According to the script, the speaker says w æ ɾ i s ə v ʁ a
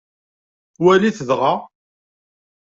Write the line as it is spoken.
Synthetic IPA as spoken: w æ l i θ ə ð ʁ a

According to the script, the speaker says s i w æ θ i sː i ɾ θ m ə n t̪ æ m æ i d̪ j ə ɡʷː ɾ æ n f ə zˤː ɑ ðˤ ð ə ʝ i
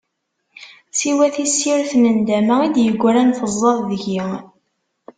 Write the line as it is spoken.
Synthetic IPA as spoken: s i w æ θ i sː i ɾ θ n ə n d̪ æ m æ i d̪ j ə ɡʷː ɾ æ n f ə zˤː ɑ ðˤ ð ə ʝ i

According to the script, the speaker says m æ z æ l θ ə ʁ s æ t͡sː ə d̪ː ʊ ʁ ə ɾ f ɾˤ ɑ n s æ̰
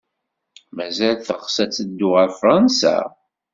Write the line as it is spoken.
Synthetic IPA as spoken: m æ z æ l θ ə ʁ s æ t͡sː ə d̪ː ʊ ʁ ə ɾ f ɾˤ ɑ n s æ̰

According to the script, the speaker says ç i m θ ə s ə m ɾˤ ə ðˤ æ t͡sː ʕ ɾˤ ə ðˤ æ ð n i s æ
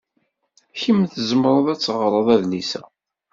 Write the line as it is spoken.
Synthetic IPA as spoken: ç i m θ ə z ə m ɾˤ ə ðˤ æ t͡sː ʁ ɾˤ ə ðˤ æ ð n i s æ

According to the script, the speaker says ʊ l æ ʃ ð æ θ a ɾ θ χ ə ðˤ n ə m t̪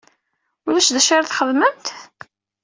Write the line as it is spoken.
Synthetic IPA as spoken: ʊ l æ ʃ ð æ ʃ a ɾ θ χ ə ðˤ m ə m t̪

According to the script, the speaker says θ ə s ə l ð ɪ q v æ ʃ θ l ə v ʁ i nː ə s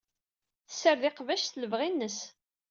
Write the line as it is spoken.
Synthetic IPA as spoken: θ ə s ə ɾ ð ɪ q v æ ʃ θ l ə v ʁ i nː ə s

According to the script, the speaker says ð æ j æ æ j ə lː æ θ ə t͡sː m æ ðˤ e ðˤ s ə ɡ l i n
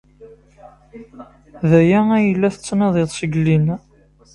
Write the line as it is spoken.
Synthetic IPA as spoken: ð æ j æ æ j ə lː æ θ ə t͡sː n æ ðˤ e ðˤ s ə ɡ l i n

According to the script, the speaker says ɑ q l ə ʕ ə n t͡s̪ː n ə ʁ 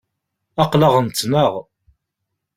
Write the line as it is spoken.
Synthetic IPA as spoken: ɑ q l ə ʁ ə n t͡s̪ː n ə ʁ

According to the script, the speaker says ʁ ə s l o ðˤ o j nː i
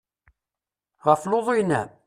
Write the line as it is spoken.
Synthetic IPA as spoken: ʁ ə f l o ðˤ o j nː æ

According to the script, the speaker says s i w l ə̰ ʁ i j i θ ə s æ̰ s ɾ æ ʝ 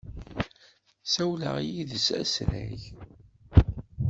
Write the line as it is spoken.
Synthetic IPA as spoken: s æ w l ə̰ ʁ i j i ð ə s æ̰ s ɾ æ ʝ

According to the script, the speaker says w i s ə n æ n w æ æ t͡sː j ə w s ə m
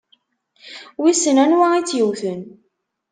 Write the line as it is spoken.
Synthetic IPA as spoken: w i s ə n æ n w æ i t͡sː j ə w θ ə n

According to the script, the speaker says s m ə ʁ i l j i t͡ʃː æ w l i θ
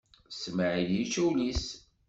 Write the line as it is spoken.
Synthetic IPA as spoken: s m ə ʕ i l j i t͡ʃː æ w l i s

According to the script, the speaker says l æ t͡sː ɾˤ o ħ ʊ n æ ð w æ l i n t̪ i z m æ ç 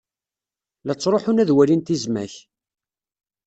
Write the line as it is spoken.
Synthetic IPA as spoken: l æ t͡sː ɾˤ o ħ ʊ n æ ð w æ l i n t̪ i z m æ ç

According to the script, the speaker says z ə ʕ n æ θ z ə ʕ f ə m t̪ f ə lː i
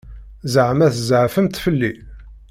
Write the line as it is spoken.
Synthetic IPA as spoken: z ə ʕ m æ θ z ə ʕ f ə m t̪ f ə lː i

